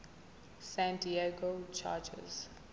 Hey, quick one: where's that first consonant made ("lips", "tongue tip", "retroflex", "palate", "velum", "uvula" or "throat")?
tongue tip